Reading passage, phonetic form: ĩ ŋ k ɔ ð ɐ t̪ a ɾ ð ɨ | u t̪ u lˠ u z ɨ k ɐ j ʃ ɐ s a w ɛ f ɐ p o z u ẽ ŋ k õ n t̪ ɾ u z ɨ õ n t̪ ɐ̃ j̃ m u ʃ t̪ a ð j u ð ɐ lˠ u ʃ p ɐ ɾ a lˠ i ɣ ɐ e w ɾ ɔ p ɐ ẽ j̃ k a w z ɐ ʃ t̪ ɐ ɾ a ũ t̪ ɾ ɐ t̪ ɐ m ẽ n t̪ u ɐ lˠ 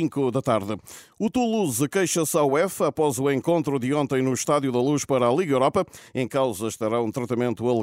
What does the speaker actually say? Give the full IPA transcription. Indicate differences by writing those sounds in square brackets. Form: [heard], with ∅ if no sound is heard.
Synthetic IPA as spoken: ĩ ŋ k [u] ð ɐ t̪ a ɾ ð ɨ | u t̪ u lˠ u z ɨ k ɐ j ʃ ɐ s a w ɛ f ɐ p [ɔ] z u ẽ ŋ k õ n t̪ ɾ u [ð] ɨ õ n t̪ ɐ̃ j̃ [n] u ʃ t̪ a ð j u ð ɐ lˠ u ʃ p ɐ ɾ a lˠ i ɣ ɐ e w ɾ ɔ p ɐ ẽ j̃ k a w z ɐ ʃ t̪ ɐ ɾ a ũ t̪ ɾ ɐ t̪ ɐ m ẽ n t̪ u ɐ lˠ